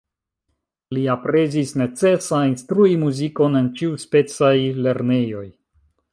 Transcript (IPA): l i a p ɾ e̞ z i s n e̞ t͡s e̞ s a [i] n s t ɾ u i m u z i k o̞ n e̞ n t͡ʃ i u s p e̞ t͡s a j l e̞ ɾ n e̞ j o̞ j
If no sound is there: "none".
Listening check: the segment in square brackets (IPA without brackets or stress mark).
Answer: i